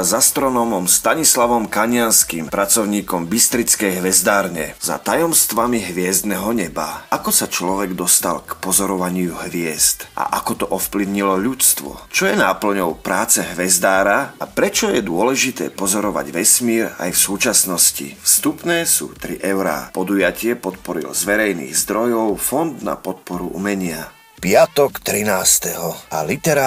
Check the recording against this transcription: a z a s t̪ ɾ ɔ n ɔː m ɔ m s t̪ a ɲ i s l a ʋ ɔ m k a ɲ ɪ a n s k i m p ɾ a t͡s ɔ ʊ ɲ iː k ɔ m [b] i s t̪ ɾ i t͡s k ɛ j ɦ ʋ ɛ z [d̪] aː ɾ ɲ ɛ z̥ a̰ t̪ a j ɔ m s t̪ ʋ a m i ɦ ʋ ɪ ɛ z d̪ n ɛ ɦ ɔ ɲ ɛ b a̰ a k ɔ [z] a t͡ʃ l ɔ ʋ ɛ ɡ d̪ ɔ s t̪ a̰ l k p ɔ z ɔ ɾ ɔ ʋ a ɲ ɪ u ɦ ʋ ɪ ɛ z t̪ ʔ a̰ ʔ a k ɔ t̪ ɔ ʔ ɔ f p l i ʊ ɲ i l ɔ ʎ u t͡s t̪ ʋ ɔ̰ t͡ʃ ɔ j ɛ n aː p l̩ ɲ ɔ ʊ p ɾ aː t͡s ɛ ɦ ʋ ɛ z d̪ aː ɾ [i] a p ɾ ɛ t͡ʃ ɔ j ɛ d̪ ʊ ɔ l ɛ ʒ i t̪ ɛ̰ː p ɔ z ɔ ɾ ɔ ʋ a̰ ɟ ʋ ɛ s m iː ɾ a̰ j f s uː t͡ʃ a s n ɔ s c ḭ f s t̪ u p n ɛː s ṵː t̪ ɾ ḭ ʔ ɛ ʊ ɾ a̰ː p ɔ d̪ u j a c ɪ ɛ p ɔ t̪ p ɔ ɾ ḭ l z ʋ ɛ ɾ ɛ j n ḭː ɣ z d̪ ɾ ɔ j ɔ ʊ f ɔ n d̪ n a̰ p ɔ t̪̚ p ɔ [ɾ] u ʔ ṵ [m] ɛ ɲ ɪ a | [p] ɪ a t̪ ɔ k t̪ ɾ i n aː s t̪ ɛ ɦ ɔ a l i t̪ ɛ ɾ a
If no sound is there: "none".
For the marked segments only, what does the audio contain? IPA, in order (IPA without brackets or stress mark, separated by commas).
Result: b, d̪, s, a, ɾ, m, p